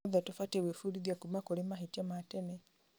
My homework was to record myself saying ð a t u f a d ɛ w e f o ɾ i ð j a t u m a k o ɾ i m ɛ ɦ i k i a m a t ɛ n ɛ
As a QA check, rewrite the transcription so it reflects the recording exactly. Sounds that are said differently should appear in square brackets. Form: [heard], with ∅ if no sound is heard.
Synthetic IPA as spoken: ð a t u f a [t] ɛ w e f [u] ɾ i ð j a [k] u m a k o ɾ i m [a] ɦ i [t] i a m a t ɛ n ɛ